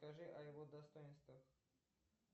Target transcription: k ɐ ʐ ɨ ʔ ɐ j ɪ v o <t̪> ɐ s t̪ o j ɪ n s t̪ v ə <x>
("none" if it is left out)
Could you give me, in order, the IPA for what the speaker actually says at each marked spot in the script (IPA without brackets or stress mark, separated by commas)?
d̪, x